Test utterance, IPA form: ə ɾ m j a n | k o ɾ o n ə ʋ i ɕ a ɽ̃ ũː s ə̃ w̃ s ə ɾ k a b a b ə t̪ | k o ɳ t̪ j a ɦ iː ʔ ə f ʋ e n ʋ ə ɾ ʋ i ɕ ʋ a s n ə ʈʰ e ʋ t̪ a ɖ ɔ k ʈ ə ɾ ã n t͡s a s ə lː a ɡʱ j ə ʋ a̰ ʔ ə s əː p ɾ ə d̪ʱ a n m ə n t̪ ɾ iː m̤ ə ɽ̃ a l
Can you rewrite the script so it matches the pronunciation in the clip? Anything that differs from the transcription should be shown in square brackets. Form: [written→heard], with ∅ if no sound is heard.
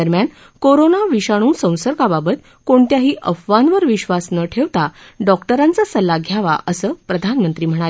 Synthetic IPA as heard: ə ɾ m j a n | k o ɾ o n [ə→a] ʋ i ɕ a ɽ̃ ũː s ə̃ w̃ s ə ɾ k a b a b ə t̪ | k o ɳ t̪ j a ɦ iː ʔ ə f ʋ [e→a] n ʋ ə ɾ ʋ i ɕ ʋ a s n ə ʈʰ e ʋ t̪ a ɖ ɔ k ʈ ə ɾ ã n t͡s a s ə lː a ɡʱ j [ə→a] ʋ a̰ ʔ ə s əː p ɾ ə d̪ʱ a n m ə n t̪ ɾ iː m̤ ə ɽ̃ a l